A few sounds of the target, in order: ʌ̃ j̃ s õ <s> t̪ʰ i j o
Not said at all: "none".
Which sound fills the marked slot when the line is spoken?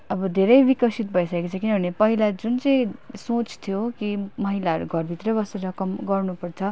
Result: t͡s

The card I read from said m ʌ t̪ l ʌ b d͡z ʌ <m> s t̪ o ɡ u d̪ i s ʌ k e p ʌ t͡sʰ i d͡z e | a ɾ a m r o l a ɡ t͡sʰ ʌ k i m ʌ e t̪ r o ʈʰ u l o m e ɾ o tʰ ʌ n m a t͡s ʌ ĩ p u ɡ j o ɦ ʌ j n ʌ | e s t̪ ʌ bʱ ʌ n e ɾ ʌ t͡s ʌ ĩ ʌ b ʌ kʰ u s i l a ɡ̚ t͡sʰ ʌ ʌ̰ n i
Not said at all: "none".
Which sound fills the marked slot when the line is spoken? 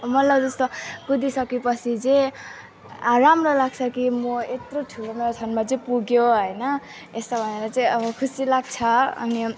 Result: none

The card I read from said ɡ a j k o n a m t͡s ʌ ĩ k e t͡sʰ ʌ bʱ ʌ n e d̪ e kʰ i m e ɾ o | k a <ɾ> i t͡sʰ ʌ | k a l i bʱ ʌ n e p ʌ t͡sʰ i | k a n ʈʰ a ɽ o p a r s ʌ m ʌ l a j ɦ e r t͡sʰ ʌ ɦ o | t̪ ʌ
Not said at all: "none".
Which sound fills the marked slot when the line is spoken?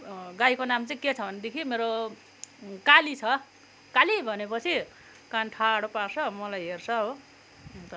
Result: l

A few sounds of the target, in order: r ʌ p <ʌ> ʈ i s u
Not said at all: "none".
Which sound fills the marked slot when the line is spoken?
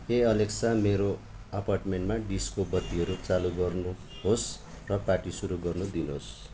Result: a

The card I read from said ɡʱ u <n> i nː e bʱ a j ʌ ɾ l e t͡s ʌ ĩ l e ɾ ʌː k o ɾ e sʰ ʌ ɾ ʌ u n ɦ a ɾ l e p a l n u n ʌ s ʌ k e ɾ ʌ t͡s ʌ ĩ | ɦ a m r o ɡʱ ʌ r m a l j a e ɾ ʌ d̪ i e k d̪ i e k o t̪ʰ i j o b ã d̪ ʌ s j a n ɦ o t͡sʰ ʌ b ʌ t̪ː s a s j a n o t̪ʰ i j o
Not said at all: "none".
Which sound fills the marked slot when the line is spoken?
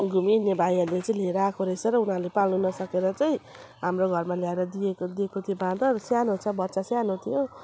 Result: m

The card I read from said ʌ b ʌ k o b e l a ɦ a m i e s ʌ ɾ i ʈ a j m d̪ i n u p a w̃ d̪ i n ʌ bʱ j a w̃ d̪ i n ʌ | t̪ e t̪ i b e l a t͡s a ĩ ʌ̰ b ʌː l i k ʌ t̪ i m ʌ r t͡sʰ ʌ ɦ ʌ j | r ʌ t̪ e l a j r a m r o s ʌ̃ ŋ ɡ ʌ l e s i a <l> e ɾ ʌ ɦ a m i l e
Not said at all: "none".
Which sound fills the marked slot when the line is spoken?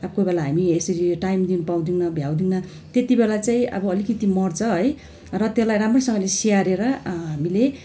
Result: ɾ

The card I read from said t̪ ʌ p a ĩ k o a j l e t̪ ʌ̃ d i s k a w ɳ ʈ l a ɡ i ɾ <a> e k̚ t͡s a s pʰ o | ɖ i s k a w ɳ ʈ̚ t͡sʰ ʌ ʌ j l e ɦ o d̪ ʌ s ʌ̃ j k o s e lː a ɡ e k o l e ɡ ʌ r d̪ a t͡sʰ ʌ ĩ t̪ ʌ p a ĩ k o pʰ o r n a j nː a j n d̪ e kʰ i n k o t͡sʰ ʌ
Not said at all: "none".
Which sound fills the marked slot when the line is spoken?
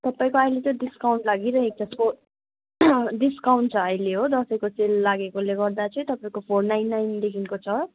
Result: ʌ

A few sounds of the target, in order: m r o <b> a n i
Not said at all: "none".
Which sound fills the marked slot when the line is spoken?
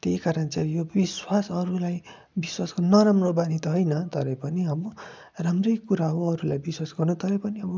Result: b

